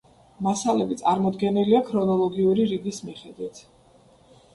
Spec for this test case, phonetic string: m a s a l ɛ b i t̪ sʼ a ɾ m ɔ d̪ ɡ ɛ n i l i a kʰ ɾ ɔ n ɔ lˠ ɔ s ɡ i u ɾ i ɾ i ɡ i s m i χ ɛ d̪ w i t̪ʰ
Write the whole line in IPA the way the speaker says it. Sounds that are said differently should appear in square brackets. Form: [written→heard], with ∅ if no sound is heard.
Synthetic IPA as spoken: m a s a l ɛ b i t̪ sʼ a ɾ m ɔ d̪ ɡ ɛ n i l i a kʰ ɾ ɔ n ɔ lˠ ɔ [s→∅] ɡ i u ɾ i ɾ i ɡ i s m i χ ɛ d̪ w i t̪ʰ

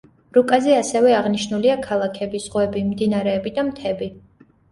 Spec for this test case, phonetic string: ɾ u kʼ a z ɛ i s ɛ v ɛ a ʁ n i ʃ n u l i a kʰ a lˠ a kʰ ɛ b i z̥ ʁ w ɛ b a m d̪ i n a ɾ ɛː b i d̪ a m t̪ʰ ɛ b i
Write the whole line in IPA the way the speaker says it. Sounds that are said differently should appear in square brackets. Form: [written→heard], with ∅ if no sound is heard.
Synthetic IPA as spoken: ɾ u kʼ a z ɛ [i→a] s ɛ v ɛ a ʁ n i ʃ n u l i a kʰ a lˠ a kʰ ɛ b i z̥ ʁ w ɛ b [a→i] m d̪ i n a ɾ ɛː b i d̪ a m t̪ʰ ɛ b i

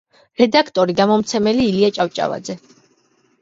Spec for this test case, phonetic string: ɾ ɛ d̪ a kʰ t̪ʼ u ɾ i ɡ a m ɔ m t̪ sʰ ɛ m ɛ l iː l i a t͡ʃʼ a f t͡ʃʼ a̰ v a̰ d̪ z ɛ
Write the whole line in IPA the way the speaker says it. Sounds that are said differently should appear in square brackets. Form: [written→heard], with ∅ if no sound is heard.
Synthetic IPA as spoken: ɾ ɛ d̪ a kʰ t̪ʼ [u→ɔ] ɾ i ɡ a m ɔ m t̪ sʰ ɛ m ɛ l iː l i a t͡ʃʼ a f t͡ʃʼ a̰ v a̰ d̪ z ɛ

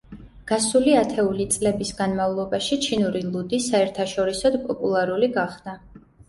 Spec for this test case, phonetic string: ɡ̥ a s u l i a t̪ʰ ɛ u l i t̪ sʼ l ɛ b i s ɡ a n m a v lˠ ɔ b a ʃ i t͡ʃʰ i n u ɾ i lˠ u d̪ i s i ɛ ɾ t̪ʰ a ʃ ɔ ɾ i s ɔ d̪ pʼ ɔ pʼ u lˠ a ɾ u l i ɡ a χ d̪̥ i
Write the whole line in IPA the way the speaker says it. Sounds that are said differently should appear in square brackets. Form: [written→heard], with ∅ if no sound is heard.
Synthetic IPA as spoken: ɡ̥ a s u l i a t̪ʰ ɛ u l i t̪ sʼ l ɛ b i s ɡ a n m a v lˠ ɔ b a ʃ i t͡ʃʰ i n u ɾ i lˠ u d̪ i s [i→a] ɛ ɾ t̪ʰ a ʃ ɔ ɾ i s ɔ d̪ pʼ ɔ pʼ u lˠ a ɾ u l i ɡ a χ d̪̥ [i→a]

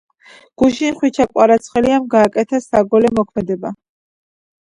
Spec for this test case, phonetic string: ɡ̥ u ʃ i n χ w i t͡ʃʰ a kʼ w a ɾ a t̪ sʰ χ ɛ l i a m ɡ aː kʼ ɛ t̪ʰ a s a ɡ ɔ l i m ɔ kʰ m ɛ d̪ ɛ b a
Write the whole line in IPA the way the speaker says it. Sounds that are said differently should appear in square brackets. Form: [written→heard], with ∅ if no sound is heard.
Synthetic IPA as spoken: ɡ̥ u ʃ i n χ w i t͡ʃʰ a kʼ w a ɾ a t̪ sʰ χ ɛ l i a m ɡ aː kʼ ɛ t̪ʰ a s a ɡ ɔ l [i→ɛ] m ɔ kʰ m ɛ d̪ ɛ b a

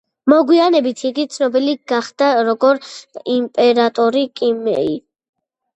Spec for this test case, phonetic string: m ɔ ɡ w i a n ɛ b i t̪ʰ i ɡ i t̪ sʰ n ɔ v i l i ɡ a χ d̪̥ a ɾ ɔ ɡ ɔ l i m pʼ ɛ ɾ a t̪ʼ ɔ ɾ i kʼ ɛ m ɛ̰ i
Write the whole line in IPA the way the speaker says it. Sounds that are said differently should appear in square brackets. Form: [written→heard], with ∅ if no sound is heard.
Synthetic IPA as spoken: m ɔ ɡ w i a n ɛ b i t̪ʰ i ɡ i t̪ sʰ n ɔ [v→b] i l i ɡ a χ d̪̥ a ɾ ɔ ɡ ɔ [l→ɾ] i m pʼ ɛ ɾ a t̪ʼ ɔ ɾ i kʼ [ɛ→i] m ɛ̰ i

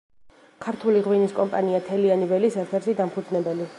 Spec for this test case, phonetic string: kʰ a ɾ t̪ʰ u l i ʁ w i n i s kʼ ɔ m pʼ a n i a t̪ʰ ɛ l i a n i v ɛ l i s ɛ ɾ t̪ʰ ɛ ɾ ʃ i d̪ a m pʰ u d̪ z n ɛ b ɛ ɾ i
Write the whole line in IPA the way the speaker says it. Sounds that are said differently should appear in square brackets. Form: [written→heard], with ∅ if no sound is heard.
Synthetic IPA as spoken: kʰ a ɾ t̪ʰ u l i ʁ w i n i s kʼ ɔ m pʼ a n i a t̪ʰ ɛ l i a n i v ɛ l i s ɛ ɾ t̪ʰ ɛ ɾ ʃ i d̪ a m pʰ u d̪ z n ɛ b ɛ [ɾ→l] i

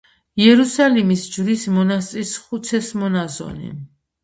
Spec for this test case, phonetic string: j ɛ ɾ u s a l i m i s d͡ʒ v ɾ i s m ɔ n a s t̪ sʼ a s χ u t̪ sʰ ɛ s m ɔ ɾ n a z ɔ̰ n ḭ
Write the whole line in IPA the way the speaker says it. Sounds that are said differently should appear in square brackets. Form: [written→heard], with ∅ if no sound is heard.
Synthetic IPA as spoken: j ɛ ɾ u s a l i m i s d͡ʒ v ɾ i s m ɔ n a s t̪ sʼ [a→i] s χ u t̪ sʰ ɛ s m ɔ [ɾ→∅] n a z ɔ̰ n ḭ

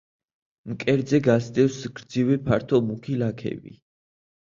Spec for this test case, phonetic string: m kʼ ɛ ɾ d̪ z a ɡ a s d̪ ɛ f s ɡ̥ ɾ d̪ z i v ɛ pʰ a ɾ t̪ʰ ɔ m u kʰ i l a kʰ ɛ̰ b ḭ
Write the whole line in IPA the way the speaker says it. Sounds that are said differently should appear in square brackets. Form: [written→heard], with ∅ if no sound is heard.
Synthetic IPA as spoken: m kʼ ɛ ɾ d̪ z [a→ɛ] ɡ a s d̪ ɛ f s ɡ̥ ɾ d̪ z i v ɛ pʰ a ɾ t̪ʰ ɔ m u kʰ i l a kʰ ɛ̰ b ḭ

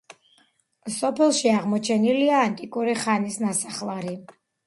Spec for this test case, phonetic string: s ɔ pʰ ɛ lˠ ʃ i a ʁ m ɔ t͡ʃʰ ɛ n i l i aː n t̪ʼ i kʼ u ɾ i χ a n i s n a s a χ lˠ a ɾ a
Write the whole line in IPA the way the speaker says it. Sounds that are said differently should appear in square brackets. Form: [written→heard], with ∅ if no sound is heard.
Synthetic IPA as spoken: s ɔ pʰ ɛ lˠ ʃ i a ʁ m ɔ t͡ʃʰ ɛ n i l i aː n t̪ʼ i kʼ u ɾ i χ a n i s n a s a χ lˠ a ɾ [a→i]

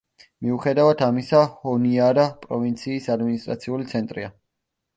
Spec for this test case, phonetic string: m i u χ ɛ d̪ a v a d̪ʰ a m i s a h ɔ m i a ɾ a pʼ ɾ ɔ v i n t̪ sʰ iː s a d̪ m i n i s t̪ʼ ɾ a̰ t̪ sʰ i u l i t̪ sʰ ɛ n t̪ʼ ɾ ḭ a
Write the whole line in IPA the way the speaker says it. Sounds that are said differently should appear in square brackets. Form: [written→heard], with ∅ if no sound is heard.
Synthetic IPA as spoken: m i u χ ɛ d̪ a v a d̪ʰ a m i s a h ɔ [m→n] i a ɾ a pʼ ɾ ɔ v i n t̪ sʰ iː s a d̪ m i n i s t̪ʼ ɾ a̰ t̪ sʰ i u l i t̪ sʰ ɛ n t̪ʼ ɾ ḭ a

